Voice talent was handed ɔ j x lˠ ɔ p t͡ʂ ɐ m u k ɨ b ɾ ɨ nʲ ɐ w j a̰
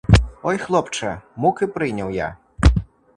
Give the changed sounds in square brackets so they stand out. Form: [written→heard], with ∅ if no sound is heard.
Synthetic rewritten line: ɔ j x lˠ ɔ p t͡ʂ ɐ m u k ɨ [b→p] ɾ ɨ nʲ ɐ w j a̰